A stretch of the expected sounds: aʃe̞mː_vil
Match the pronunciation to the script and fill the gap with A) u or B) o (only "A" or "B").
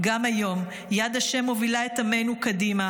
B